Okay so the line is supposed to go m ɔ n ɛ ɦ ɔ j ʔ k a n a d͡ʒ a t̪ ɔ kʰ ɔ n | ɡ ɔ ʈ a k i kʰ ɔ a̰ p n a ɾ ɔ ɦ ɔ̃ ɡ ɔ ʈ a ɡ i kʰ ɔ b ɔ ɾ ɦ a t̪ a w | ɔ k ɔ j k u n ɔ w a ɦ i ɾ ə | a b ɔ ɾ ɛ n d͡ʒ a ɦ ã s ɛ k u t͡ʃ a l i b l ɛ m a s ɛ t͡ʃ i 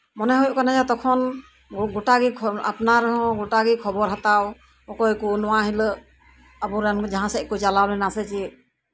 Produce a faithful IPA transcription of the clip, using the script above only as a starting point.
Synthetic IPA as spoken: m ɔ n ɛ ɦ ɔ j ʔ k a n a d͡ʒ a t̪ ɔ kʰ ɔ n | ɡ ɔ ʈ a ɡ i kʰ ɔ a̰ p n a ɾ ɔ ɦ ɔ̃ ɡ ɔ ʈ a ɡ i kʰ ɔ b ɔ ɾ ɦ a t̪ a w | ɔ k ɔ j k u n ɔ w a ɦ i l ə | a b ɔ ɾ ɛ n d͡ʒ a ɦ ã s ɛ k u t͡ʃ a l a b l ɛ n a s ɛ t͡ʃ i